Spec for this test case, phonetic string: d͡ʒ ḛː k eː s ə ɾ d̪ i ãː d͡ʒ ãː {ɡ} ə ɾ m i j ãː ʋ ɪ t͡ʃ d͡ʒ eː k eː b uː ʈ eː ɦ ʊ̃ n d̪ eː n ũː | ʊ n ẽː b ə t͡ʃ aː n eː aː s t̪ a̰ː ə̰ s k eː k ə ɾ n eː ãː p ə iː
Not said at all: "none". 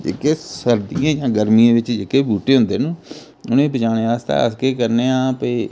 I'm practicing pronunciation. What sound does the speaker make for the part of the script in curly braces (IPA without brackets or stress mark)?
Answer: ɡ